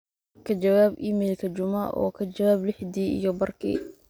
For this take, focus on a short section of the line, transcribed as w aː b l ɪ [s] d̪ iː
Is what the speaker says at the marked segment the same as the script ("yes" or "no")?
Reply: no